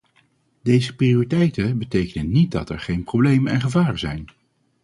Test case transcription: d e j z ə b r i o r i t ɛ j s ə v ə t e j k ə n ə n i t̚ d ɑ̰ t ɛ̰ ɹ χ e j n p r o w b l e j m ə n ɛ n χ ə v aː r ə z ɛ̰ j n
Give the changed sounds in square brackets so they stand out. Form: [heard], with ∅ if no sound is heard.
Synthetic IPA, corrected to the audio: d e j z ə [p] r i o r i t ɛ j [t] ə [b] ə t e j k ə n ə n i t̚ d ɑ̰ t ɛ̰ ɹ χ e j n p r o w b l e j m ə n ɛ n χ ə v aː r ə z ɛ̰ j n

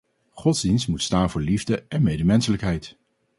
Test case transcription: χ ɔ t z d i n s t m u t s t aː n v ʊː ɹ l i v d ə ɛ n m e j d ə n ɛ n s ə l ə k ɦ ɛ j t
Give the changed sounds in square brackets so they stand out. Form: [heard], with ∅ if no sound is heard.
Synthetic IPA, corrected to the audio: χ ɔ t z d i n s t m u t s t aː n v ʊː ɹ l i v d ə ɛ n m e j d ə [m] ɛ n s ə l ə k ɦ ɛ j t

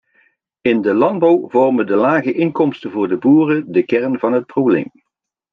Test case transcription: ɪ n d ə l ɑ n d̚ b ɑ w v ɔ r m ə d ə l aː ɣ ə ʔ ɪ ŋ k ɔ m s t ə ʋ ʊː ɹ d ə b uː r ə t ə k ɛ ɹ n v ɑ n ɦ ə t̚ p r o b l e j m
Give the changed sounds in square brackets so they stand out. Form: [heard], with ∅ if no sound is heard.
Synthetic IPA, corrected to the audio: ɪ n d ə l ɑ n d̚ b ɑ w v ɔ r m ə d ə l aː ɣ ə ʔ ɪ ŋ k ɔ m s t ə [v] ʊː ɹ d ə b uː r ə [d] ə k ɛ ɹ n v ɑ n ɦ ə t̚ p r o b l e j m

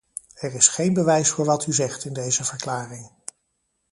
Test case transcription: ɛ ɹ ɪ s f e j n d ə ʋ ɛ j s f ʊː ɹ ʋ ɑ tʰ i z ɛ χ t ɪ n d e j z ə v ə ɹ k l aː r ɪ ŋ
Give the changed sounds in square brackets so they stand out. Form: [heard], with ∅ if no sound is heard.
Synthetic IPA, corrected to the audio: ɛ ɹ ɪ s [χ] e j n [b] ə ʋ ɛ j s f ʊː ɹ ʋ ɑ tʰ [y] z ɛ χ t ɪ n d e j z ə v ə ɹ k l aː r ɪ ŋ

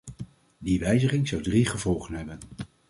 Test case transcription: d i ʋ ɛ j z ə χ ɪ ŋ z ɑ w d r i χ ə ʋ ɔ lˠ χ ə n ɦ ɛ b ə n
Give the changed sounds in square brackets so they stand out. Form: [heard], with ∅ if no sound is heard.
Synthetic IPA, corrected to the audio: d i ʋ ɛ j z ə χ ɪ ŋ z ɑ w d r i χ ə [v] ɔ lˠ χ ə n ɦ ɛ b ə n

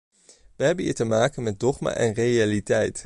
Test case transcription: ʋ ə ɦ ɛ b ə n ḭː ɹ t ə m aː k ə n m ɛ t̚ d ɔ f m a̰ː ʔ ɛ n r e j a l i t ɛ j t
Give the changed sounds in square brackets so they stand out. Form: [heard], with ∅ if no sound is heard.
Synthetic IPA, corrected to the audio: ʋ ə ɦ ɛ b ə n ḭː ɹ t ə m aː k ə n m ɛ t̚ d ɔ [χ] m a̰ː ʔ ɛ n r e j a l i t ɛ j t

